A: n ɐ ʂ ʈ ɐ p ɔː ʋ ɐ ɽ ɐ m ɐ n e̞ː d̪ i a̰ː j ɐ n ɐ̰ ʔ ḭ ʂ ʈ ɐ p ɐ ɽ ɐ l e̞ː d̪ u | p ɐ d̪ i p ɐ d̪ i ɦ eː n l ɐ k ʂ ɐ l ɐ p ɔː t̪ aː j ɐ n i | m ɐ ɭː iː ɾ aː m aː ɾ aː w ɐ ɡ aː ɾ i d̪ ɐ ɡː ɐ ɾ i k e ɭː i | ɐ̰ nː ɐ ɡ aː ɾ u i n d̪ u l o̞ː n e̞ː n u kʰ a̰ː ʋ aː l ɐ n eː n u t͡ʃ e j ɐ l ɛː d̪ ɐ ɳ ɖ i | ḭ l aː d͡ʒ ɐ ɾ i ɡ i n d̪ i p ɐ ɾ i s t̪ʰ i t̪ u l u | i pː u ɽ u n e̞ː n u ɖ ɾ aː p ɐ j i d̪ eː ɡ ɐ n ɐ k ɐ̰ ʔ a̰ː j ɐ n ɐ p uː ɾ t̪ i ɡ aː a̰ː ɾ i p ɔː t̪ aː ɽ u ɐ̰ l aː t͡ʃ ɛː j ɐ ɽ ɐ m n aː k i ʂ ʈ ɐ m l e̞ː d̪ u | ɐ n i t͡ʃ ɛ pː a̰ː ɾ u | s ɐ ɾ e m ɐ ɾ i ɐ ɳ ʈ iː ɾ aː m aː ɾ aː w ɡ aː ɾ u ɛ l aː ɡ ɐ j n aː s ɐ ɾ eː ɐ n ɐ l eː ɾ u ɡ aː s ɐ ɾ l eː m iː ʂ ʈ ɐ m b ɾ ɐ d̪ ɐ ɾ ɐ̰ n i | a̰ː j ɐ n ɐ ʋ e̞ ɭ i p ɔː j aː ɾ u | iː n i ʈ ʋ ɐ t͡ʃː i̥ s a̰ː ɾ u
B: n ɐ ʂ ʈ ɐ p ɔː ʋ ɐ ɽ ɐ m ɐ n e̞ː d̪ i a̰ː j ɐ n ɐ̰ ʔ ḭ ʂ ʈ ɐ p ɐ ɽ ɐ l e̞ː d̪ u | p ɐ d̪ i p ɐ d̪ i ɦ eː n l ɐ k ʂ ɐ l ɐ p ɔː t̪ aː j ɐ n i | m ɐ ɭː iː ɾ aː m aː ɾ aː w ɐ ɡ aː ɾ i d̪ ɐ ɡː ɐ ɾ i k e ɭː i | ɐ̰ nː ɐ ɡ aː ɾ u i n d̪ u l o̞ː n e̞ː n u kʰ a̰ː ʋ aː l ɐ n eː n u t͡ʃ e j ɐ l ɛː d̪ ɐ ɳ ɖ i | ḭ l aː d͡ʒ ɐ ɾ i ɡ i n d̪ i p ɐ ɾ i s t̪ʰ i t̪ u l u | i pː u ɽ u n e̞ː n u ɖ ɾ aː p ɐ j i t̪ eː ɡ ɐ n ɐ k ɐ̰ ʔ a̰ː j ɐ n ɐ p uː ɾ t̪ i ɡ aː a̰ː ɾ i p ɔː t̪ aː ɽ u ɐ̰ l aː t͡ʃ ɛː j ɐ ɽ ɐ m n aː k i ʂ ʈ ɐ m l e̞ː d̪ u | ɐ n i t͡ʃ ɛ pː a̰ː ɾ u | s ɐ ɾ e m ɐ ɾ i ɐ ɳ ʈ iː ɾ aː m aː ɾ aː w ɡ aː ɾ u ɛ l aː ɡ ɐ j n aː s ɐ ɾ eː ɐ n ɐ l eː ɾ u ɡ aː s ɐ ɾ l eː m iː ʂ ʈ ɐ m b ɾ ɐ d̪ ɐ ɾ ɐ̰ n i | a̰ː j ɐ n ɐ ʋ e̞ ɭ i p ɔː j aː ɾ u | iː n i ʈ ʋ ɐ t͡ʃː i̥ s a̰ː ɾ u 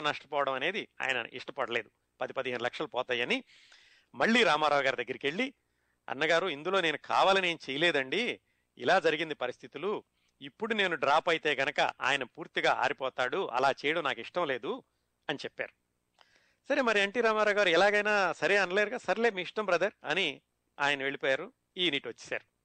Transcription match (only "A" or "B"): B